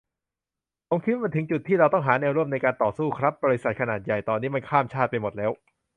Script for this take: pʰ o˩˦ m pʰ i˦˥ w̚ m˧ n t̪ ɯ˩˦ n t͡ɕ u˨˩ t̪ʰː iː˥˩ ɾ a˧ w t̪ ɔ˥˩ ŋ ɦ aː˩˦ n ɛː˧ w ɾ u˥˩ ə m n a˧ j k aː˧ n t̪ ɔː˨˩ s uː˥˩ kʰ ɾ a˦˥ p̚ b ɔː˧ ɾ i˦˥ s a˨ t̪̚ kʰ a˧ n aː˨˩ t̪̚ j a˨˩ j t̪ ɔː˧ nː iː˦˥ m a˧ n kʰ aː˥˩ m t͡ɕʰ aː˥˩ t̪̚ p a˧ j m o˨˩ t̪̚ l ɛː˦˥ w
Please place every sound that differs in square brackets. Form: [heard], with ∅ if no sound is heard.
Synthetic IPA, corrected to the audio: pʰ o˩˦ m [kʰ] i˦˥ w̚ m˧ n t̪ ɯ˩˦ [ŋ] t͡ɕ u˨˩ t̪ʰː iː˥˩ ɾ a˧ w t̪ ɔ˥˩ ŋ ɦ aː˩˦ n ɛː˧ w ɾ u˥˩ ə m n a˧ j k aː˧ n t̪ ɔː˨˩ s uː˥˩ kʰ ɾ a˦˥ p̚ b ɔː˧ ɾ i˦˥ s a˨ t̪̚ kʰ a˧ n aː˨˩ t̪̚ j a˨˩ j t̪ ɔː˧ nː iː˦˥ m a˧ n kʰ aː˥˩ m t͡ɕʰ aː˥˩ t̪̚ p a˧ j m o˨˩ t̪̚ l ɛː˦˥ w